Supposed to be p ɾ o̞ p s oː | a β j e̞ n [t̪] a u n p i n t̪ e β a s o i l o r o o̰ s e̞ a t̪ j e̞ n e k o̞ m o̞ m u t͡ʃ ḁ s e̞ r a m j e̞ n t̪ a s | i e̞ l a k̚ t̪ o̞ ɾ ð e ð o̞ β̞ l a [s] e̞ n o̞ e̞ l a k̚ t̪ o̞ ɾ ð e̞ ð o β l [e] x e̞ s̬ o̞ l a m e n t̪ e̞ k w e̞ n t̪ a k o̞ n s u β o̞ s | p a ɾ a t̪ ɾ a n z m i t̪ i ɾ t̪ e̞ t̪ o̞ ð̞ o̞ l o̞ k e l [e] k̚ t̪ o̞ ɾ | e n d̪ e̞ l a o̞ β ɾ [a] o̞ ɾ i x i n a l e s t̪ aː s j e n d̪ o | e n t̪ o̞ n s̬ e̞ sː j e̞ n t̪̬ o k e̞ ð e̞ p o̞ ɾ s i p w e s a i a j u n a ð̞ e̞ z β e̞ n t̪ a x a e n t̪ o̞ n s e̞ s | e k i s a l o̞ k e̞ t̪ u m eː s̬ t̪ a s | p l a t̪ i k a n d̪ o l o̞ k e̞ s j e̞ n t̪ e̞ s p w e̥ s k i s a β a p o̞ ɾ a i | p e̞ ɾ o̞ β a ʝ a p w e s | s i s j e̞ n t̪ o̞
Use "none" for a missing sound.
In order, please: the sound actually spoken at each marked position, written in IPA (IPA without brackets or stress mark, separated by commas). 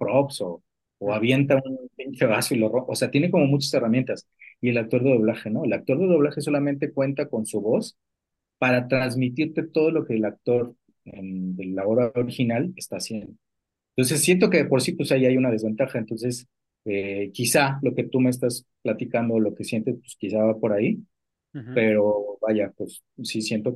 t̪, x, a, a, a